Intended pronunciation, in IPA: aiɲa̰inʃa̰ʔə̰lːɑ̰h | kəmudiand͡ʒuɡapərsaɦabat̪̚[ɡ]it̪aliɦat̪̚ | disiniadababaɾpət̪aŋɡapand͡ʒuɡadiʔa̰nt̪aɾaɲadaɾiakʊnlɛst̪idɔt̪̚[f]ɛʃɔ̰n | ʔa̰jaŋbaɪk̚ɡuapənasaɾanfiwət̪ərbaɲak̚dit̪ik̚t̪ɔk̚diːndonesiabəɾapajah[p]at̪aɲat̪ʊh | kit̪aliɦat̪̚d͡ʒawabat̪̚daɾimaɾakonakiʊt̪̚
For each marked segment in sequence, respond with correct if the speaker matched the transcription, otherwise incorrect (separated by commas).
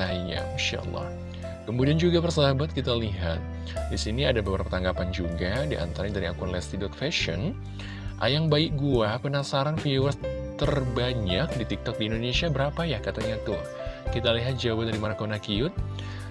incorrect, correct, incorrect